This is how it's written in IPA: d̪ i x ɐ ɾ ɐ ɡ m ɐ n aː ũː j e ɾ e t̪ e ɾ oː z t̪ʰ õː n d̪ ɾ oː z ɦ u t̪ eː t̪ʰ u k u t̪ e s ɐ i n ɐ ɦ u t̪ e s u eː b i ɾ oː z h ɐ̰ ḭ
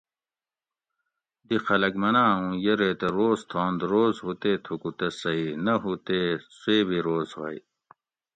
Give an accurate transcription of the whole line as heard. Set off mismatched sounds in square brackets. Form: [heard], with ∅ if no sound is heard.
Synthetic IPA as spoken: d̪ i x ɐ [l] ɐ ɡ m ɐ n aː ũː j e ɾ e t̪ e ɾ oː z t̪ʰ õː n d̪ ɾ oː z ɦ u t̪ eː t̪ʰ u k u t̪ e s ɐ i n ɐ ɦ u t̪ e s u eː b i ɾ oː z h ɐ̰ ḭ

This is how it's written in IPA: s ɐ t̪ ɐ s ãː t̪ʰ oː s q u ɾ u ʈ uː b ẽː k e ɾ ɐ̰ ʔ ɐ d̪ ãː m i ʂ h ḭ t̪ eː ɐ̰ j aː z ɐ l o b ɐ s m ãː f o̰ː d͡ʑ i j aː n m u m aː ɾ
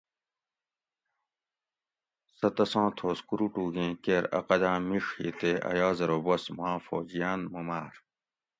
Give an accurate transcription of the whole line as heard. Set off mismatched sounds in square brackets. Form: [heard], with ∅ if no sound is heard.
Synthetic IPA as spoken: s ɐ t̪ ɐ s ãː t̪ʰ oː s [k] u ɾ u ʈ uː [ɡ] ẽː k e ɾ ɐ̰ [q] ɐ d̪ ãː m i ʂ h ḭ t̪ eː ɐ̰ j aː z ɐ [ɾ] o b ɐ s m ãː f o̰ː d͡ʑ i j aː n m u m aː ɾ

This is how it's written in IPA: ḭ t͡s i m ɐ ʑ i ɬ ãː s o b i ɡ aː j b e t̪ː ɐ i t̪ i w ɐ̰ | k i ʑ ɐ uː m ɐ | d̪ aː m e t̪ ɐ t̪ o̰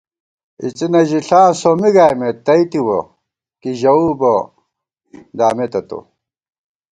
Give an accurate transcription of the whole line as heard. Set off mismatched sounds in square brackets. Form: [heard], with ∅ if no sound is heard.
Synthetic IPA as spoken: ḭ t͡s i [n] ɐ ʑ i ɬ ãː s o [m] i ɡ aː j [m] e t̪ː ɐ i t̪ i w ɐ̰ | k i ʑ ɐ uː [b] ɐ | d̪ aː m e t̪ ɐ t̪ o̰

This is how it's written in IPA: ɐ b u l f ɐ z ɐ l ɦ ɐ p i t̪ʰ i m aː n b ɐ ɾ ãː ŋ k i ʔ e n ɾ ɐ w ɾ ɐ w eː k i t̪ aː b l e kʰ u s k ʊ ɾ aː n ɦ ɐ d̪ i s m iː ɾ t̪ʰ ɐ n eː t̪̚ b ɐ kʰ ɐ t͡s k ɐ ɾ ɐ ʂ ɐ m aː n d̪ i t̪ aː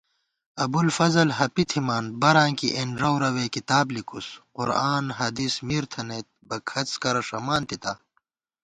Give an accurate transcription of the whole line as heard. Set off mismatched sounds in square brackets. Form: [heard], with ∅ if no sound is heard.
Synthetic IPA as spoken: ɐ b u l f ɐ z ɐ l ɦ ɐ p i t̪ʰ i m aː n b ɐ ɾ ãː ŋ k i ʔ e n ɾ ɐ w ɾ ɐ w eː k i t̪ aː b l [i] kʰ u s [q] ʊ ɾ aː n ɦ ɐ d̪ i s m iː ɾ t̪ʰ ɐ n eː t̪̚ b ɐ kʰ ɐ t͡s k ɐ ɾ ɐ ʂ ɐ m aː n [t̪] i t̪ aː

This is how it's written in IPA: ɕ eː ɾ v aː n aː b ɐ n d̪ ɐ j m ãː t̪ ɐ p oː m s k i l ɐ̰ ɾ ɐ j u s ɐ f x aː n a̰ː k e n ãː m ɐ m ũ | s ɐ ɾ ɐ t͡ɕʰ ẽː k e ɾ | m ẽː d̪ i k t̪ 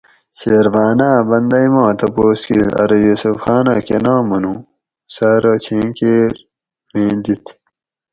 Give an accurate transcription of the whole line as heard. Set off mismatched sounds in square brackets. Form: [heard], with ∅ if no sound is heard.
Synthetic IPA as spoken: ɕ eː ɾ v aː n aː b ɐ n d̪ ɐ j m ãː t̪ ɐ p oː [∅] s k i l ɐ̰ ɾ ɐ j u s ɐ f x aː n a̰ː k e n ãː m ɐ [n] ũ | s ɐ ɾ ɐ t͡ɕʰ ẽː k e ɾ | m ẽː d̪ i [∅] t̪

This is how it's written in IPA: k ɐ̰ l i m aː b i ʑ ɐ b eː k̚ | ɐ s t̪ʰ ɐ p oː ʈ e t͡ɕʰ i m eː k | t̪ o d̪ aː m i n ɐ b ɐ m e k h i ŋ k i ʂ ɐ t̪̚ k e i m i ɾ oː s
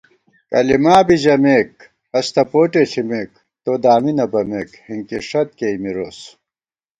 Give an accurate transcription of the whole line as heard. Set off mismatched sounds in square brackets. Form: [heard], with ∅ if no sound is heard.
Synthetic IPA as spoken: k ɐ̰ l i m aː b i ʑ ɐ [m] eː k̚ | ɐ s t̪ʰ ɐ p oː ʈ e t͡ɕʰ i m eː k | t̪ o d̪ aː m i n ɐ b ɐ m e k h i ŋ k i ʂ ɐ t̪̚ k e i m i ɾ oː s

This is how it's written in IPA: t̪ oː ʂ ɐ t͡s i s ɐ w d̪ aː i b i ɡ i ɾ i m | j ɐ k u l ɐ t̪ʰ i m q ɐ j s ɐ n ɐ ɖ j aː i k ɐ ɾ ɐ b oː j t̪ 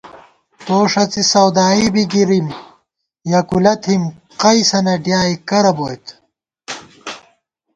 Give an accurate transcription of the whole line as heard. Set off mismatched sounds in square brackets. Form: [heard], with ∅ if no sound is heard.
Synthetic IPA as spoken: t̪ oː ʂ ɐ t͡s i s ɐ w d̪ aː i b i ɡ i ɾ i m | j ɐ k u l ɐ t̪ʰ i m q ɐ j s ɐ n ɐ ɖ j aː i k ɐ ɾ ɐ b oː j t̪

